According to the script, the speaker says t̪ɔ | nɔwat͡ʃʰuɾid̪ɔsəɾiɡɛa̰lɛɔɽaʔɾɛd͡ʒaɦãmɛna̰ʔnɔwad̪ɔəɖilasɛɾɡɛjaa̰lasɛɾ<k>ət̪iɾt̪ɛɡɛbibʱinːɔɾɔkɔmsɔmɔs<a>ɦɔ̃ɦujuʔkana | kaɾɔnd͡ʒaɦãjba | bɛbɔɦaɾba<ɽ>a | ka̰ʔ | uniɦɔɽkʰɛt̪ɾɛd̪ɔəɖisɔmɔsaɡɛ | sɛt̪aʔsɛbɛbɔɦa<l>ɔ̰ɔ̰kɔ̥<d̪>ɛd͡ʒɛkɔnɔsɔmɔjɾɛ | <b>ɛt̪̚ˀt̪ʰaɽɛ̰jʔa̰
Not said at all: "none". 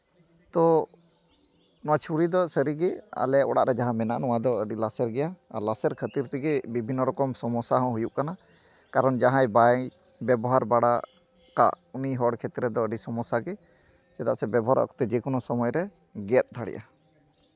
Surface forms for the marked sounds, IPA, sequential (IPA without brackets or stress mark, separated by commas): kʰ, a, ɽ, ɾ, t̪, ɡ